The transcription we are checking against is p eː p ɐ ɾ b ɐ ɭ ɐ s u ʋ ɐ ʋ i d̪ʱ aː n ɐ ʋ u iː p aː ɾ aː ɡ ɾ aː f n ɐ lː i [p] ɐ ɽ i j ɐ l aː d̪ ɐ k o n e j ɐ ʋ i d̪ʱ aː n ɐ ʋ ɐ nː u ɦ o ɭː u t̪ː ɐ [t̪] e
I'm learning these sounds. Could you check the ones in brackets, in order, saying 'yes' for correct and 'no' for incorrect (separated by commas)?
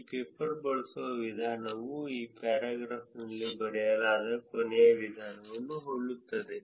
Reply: no, no